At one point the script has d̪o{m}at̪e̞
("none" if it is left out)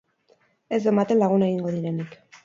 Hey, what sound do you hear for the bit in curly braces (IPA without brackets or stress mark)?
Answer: m